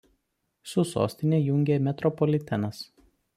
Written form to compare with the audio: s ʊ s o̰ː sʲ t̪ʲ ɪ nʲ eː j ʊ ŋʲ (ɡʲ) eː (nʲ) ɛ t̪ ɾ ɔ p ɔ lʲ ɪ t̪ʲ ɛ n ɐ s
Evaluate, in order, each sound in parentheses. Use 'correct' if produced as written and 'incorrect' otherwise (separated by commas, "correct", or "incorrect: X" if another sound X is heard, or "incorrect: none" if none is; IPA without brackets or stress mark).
correct, incorrect: mʲ